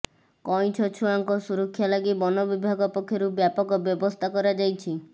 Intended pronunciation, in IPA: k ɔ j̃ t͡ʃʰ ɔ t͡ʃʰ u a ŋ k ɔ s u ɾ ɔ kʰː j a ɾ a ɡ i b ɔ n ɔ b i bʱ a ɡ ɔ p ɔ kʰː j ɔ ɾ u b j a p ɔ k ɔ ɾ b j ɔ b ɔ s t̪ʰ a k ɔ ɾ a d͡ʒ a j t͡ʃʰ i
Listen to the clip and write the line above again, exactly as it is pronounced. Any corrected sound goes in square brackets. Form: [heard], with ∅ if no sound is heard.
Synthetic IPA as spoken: k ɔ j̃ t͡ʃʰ ɔ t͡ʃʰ u a ŋ k ɔ s u ɾ ɔ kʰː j a [l] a ɡ i b ɔ n ɔ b i bʱ a ɡ ɔ p ɔ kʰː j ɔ ɾ u b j a p ɔ k ɔ [∅] b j ɔ b ɔ s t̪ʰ a k ɔ ɾ a d͡ʒ a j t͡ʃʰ i